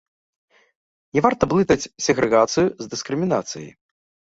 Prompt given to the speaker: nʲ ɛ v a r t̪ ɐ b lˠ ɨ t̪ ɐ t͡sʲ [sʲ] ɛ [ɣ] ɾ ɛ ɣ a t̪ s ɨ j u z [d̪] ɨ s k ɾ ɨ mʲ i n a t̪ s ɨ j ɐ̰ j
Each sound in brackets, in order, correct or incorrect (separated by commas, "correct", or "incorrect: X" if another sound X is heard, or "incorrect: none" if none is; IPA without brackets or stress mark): correct, correct, correct